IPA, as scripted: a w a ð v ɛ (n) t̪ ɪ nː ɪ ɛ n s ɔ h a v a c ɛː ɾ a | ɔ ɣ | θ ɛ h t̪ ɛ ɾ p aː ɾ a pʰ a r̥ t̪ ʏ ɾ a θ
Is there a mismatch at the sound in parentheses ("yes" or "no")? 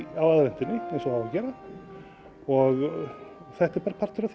no